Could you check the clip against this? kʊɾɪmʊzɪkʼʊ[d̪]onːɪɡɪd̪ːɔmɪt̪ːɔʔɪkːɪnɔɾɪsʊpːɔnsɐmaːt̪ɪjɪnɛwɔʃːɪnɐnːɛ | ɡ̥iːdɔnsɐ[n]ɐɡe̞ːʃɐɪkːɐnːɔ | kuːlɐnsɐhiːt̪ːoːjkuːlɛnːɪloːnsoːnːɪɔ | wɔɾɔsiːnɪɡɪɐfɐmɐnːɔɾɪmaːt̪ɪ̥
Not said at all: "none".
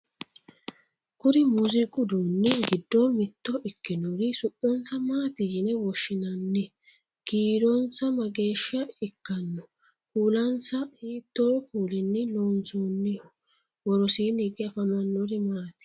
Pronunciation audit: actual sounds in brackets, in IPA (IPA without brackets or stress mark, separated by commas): d̪, m